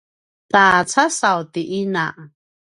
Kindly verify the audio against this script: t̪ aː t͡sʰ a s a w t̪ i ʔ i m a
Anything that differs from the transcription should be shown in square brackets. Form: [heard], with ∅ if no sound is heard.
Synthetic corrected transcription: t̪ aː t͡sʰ a s a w t̪ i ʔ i [n] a

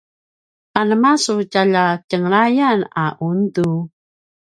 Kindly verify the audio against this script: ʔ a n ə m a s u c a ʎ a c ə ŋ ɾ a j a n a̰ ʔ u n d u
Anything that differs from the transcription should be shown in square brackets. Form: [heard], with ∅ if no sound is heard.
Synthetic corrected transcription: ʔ a n ə m a s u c a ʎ a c ə ŋ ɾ a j a n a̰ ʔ u n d u

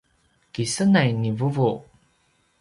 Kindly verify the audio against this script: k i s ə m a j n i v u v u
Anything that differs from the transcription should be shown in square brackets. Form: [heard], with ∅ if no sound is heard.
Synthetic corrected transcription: k i s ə [n] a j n i v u v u

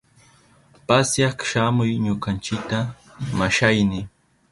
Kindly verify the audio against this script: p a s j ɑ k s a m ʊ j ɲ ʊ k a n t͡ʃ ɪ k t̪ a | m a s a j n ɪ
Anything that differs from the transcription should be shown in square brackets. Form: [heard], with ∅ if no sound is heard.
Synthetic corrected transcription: p a s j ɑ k [ʃ] a m ʊ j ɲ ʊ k a n t͡ʃ ɪ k t̪ a | m a [ʃ] a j n ɪ

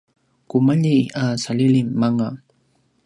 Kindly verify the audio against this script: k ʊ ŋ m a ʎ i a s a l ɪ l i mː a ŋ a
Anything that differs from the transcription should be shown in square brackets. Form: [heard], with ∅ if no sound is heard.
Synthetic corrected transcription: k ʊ [∅] m a ʎ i a s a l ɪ l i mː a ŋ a

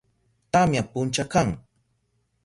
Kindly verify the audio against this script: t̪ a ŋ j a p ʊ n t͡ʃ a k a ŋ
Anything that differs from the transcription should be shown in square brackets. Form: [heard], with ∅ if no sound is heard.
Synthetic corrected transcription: t̪ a [m] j a p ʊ n t͡ʃ a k a ŋ

